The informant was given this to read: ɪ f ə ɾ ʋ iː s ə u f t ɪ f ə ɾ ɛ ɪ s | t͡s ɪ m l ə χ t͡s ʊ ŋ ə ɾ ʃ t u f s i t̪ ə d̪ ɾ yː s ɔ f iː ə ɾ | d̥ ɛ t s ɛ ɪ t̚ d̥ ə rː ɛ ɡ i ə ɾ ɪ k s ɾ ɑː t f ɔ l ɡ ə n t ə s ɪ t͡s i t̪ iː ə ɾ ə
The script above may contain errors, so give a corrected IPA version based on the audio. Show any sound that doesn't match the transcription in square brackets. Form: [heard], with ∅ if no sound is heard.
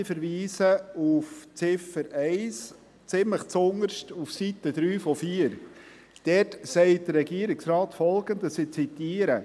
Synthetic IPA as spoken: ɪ f ə ɾ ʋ iː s ə u f [t͡s] ɪ f ə ɾ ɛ ɪ s | t͡s ɪ m l ə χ t͡s ʊ ŋ ə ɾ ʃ t u f s i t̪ ə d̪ ɾ yː [f] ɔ f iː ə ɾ | d̥ ɛ t s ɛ ɪ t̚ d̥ ə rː ɛ ɡ i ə ɾ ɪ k s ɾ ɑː t f ɔ l ɡ ə n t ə s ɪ t͡s i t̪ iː ə ɾ ə